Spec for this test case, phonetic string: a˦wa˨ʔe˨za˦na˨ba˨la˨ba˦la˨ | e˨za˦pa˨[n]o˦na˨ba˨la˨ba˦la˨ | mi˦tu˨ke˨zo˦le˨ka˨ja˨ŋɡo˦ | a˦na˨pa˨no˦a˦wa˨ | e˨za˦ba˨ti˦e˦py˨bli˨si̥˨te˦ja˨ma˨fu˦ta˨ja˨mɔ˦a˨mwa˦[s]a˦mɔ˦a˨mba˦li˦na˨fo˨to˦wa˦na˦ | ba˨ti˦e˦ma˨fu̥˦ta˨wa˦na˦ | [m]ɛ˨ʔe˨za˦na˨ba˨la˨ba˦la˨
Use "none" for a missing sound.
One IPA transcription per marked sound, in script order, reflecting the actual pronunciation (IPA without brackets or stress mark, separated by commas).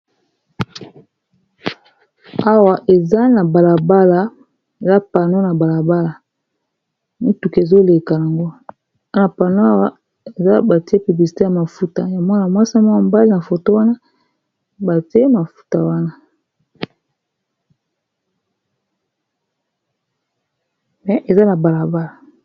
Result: n, s, m